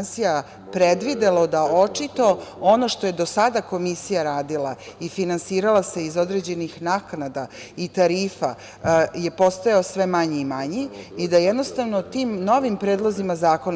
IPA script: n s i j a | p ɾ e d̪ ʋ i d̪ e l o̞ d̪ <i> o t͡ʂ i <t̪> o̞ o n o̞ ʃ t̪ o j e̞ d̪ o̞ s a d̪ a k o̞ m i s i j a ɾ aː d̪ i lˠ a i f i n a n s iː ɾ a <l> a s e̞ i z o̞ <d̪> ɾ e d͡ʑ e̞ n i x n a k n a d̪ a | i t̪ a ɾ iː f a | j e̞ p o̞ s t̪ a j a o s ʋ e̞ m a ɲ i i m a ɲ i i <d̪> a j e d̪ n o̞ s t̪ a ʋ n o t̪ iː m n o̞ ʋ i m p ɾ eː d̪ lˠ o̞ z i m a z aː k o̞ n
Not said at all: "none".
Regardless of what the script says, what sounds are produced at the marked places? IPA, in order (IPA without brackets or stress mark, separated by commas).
a, t̪, l, d̪, d̪